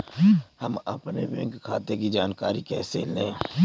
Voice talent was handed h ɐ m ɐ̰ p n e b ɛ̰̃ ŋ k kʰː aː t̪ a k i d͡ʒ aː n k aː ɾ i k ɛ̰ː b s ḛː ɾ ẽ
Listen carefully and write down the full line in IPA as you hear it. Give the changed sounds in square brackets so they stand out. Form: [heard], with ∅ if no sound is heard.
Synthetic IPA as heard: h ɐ m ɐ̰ p n e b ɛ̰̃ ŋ k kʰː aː t̪ [e] k i d͡ʒ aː n k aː ɾ i k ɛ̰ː [∅] s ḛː [l] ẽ